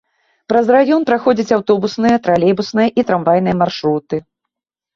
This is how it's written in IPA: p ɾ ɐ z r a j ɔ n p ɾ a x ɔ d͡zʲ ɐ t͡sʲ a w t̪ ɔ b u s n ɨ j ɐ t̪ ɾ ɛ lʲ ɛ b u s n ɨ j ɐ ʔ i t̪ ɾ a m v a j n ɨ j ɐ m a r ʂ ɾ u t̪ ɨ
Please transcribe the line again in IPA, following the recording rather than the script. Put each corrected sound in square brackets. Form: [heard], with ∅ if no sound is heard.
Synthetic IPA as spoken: p ɾ ɐ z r a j ɔ n p ɾ a x ɔ d͡zʲ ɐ t͡sʲ a w t̪ ɔ b u s n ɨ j ɐ t̪ ɾ [a] lʲ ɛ b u s n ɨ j ɐ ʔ i t̪ ɾ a m v a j n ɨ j ɐ m a r ʂ ɾ u t̪ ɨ